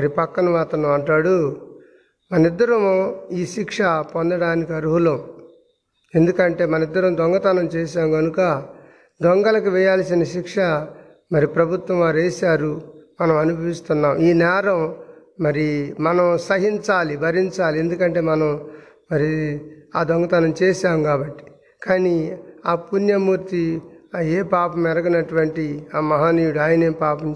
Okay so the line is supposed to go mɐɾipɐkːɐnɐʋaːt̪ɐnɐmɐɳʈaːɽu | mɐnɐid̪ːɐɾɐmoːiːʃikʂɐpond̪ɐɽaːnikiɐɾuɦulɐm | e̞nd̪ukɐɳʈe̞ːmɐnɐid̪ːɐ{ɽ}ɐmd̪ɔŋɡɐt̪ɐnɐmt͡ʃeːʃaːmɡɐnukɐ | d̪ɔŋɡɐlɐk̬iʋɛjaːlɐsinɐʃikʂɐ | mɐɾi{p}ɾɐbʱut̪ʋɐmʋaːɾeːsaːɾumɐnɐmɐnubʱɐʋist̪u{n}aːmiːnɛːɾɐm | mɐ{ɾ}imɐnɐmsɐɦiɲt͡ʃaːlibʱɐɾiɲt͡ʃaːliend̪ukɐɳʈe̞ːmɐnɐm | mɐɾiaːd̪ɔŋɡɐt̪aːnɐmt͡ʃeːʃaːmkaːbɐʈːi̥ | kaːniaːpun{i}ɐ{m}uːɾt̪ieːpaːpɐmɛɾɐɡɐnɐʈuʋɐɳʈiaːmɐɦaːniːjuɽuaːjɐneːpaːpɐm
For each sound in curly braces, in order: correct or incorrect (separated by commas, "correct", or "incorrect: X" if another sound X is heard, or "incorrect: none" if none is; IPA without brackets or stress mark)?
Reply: incorrect: ɾ, correct, incorrect: nː, correct, incorrect: j, correct